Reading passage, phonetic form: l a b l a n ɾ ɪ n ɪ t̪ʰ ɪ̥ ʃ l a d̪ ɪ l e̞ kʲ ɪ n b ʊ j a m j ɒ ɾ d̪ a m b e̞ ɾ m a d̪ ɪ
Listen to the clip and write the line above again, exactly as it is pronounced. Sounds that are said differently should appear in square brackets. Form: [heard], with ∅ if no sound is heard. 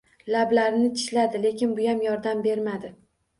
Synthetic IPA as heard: l a b l a [∅] ɾ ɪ n ɪ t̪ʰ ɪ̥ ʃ l a d̪ ɪ l e̞ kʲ ɪ n b ʊ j a m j ɒ ɾ d̪ a m b e̞ ɾ m a d̪ ɪ